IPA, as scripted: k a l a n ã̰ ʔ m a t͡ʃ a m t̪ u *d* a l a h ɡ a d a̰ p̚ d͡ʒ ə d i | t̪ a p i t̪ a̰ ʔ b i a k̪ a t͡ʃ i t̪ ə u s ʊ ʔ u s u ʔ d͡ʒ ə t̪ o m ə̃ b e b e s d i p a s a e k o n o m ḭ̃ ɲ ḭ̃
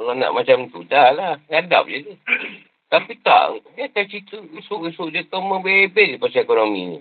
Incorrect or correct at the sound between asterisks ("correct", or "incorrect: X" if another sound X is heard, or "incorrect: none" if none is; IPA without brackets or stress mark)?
correct